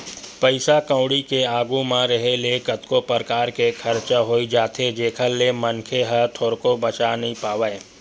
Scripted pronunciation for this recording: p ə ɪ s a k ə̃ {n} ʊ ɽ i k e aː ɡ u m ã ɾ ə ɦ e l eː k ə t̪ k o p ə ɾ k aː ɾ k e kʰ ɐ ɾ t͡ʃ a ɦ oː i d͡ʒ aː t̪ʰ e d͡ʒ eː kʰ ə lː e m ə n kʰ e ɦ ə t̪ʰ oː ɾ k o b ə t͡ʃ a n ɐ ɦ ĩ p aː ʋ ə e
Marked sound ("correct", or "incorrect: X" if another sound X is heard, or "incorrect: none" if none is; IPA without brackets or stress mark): incorrect: none